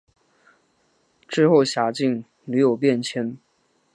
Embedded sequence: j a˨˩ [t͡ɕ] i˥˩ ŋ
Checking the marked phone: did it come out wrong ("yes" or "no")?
no